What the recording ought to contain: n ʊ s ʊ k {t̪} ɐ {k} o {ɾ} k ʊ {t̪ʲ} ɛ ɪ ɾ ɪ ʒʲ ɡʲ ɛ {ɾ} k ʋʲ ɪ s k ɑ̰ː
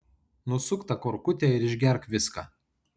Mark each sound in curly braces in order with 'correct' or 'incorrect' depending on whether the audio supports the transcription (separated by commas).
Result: correct, correct, correct, correct, correct